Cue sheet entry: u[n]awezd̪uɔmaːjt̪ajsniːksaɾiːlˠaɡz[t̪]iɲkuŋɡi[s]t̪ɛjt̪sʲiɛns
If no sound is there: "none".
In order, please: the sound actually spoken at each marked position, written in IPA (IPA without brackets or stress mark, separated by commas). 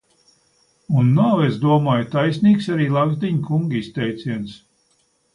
nː, d̪, s